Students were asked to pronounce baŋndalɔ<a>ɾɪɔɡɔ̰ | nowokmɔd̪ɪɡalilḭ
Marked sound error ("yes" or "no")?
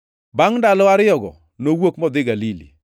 no